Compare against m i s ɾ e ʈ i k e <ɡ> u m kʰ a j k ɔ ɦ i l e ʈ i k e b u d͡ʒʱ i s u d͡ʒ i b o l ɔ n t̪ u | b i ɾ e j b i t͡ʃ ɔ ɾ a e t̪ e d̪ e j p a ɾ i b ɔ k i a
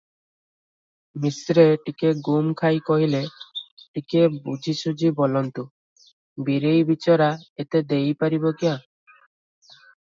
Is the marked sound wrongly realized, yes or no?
no